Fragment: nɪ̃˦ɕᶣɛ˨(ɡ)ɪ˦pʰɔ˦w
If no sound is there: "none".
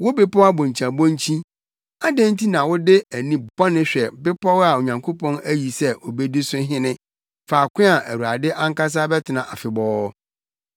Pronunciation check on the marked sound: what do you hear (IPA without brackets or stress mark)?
b